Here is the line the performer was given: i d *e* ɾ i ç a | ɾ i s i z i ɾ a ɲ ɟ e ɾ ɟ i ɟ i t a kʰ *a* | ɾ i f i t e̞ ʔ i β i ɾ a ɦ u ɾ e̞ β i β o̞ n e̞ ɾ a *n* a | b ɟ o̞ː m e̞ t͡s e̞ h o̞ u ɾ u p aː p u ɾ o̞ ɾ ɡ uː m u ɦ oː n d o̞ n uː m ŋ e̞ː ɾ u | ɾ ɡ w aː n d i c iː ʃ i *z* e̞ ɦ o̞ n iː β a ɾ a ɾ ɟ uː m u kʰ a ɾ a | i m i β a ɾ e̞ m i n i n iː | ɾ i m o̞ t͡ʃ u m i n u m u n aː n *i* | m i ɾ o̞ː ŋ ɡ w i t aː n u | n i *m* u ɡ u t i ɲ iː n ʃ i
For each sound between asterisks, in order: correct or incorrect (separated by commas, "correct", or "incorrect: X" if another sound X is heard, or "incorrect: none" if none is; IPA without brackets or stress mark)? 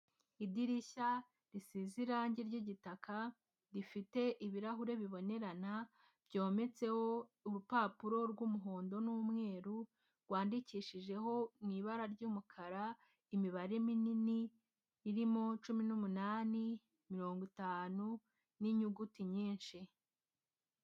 incorrect: i, correct, correct, incorrect: ʒ, correct, incorrect: ɲ